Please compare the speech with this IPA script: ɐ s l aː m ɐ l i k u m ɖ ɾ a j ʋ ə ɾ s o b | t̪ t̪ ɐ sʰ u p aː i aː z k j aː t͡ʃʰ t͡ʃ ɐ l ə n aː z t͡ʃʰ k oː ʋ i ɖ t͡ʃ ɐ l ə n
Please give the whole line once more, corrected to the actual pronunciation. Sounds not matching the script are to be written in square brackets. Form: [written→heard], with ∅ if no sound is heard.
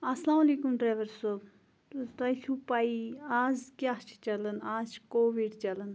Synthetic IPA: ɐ s l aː m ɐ l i k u m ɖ ɾ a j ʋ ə ɾ s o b | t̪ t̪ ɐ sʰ u p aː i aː z k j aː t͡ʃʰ t͡ʃ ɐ l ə n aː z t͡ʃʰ k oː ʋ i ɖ t͡ʃ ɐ l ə n